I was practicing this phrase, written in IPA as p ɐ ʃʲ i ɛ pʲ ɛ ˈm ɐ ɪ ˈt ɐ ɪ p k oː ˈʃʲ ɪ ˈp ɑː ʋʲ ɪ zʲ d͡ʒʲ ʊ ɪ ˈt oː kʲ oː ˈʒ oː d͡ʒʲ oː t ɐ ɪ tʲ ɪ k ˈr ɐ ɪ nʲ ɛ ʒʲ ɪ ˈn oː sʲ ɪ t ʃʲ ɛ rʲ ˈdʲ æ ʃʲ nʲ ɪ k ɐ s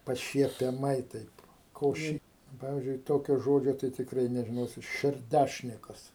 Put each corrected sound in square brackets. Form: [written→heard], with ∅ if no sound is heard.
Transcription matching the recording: p ɐ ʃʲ i ɛ pʲ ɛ ˈm ɐ ɪ ˈt ɐ ɪ p k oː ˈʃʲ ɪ ˈp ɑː ʋʲ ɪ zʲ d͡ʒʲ ʊ ɪ ˈt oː kʲ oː ˈʒ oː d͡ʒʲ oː t ɐ ɪ tʲ ɪ k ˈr ɐ ɪ nʲ ɛ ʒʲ ɪ ˈn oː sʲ ɪ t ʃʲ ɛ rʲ ˈdʲ æ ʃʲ nʲ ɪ k ɐ s